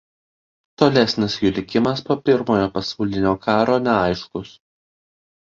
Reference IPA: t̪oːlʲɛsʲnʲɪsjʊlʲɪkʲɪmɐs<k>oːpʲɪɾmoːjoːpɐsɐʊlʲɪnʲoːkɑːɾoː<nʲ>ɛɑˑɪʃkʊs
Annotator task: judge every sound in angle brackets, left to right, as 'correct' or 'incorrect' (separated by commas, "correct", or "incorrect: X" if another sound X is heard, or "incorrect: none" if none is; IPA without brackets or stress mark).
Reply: incorrect: p, correct